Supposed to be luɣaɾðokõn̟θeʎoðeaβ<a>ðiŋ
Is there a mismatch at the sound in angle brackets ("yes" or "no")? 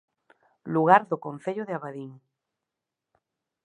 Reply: no